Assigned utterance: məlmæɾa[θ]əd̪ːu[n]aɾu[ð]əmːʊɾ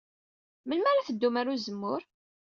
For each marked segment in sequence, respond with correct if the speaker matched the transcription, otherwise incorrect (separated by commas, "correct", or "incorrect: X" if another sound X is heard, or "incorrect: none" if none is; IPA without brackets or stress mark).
correct, incorrect: m, incorrect: z